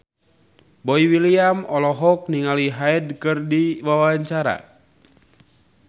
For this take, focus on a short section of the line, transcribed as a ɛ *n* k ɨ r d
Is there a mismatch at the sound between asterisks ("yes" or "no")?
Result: yes